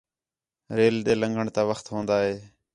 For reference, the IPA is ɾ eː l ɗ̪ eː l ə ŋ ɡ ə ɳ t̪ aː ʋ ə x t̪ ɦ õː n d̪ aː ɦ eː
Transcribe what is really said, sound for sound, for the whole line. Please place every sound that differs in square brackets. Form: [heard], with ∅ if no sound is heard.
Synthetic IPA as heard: ɾ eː l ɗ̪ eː l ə ŋ ɡ ə ɳ t̪ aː ʋ ə x t̪ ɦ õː n d̪ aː ɦ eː